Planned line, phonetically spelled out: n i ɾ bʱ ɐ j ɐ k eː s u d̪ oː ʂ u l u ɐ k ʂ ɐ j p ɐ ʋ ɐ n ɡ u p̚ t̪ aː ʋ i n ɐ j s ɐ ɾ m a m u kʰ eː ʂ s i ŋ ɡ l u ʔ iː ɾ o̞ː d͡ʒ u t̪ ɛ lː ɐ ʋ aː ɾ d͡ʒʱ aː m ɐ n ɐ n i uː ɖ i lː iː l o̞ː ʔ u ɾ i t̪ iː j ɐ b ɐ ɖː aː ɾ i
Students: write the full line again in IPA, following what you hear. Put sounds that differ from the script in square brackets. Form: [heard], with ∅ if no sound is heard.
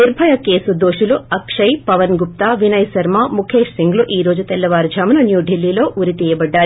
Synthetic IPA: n i ɾ bʱ ɐ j ɐ k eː s u d̪ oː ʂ u l u ɐ k ʂ ɐ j p ɐ ʋ ɐ n ɡ u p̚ t̪ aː ʋ i n ɐ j s ɐ ɾ m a m u kʰ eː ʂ s i ŋ ɡ l u ʔ iː ɾ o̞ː d͡ʒ u t̪ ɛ lː ɐ ʋ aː ɾ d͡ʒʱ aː m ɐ n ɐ n [j] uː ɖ i lː iː l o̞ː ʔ u ɾ i t̪ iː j ɐ b ɐ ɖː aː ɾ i